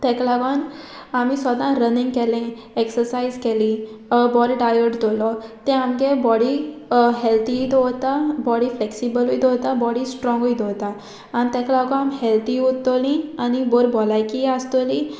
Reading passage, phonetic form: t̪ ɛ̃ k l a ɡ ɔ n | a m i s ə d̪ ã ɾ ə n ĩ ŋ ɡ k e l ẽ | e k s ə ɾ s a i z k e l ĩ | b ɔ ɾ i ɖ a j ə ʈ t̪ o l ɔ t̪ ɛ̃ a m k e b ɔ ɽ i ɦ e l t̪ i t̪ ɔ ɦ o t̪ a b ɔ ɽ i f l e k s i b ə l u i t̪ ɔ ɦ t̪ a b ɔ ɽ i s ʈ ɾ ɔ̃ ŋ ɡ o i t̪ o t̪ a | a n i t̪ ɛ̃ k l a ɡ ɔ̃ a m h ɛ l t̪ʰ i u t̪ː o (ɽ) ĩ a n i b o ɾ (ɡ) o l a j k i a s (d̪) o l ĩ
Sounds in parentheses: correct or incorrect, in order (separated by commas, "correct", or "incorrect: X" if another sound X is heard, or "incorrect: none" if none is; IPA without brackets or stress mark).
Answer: incorrect: l, incorrect: b, incorrect: t̪